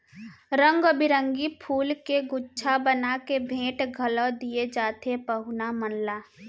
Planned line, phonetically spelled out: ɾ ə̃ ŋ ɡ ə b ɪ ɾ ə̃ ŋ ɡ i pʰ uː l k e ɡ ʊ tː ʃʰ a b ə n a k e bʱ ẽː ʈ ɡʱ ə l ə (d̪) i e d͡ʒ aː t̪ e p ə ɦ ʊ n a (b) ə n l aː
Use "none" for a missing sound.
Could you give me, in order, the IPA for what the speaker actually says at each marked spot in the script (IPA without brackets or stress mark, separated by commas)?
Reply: d̪, m